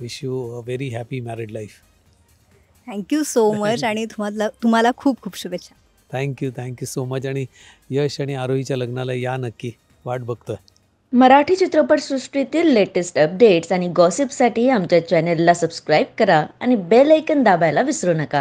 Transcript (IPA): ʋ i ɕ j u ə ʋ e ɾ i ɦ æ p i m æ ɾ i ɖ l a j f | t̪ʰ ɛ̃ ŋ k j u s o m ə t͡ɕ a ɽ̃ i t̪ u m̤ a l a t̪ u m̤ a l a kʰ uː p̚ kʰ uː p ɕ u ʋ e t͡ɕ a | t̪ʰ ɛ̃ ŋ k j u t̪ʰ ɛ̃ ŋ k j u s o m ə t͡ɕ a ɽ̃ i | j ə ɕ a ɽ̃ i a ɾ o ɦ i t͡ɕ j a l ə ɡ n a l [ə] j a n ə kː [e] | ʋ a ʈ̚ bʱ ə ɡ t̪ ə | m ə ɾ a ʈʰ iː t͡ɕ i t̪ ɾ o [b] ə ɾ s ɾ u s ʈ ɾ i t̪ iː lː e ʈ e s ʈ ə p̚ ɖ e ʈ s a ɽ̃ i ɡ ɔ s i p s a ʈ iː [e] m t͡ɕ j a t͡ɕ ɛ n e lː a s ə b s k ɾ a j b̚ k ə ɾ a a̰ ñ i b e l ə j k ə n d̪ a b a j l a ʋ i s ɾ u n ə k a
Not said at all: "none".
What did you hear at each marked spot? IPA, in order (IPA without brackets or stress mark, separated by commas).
a, i, p, a